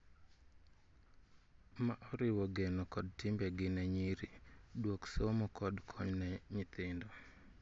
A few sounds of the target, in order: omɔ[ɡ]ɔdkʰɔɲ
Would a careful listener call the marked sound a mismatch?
yes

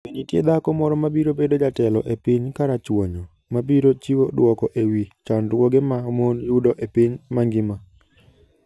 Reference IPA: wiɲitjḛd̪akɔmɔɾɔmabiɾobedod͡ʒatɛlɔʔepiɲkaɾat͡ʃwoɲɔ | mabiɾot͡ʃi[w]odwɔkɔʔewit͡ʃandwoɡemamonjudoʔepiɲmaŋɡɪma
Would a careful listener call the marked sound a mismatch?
no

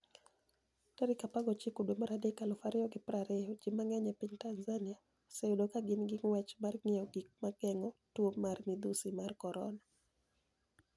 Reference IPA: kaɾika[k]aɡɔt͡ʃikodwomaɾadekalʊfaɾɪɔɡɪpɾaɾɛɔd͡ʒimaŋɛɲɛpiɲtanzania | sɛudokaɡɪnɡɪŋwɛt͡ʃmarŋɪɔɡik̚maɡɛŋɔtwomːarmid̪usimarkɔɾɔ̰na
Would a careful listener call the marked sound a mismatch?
yes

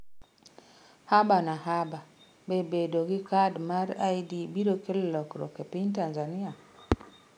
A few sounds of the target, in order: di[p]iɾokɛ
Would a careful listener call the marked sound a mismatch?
yes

